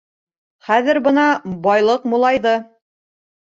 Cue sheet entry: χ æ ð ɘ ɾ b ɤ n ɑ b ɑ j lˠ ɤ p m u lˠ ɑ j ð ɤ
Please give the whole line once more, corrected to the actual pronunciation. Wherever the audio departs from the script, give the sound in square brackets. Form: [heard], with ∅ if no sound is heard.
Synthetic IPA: χ æ ð ɘ ɾ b ɤ n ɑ b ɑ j lˠ ɤ [q] m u lˠ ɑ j ð ɤ